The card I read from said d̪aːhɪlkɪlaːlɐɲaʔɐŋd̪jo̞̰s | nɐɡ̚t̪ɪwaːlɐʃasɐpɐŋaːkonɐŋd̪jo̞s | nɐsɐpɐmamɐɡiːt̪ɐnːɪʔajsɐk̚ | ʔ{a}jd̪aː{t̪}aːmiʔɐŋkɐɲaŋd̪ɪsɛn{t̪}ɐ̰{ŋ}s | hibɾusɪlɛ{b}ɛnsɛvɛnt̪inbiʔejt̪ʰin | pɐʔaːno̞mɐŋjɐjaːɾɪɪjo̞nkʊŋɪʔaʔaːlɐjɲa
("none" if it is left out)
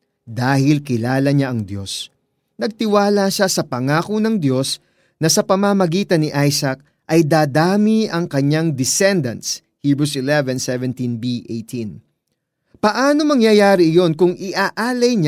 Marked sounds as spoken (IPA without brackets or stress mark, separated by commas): ɐ, d̪, d̪, n, v